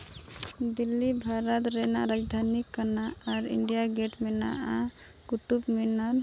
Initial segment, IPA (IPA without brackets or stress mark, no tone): d̪